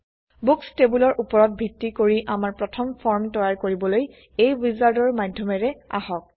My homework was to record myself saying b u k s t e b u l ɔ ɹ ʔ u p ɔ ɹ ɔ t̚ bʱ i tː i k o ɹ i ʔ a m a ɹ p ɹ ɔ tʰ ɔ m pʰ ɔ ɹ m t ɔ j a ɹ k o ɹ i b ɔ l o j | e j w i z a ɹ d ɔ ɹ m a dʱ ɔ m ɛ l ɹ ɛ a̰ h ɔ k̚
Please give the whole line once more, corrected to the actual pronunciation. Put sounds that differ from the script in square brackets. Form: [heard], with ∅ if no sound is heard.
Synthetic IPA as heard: b u k s t e b u l ɔ ɹ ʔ u p ɔ ɹ ɔ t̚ bʱ i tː i k o ɹ i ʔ a m a ɹ p ɹ ɔ tʰ ɔ m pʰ ɔ ɹ m t ɔ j a ɹ k o ɹ i b ɔ l o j | e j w i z a ɹ d ɔ ɹ m a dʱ ɔ m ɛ [∅] ɹ ɛ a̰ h ɔ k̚